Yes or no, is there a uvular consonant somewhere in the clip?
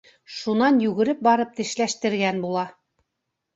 no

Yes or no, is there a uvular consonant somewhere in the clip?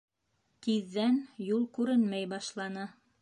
no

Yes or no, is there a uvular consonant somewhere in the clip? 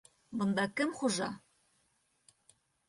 yes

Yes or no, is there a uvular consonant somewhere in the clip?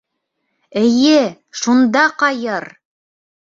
yes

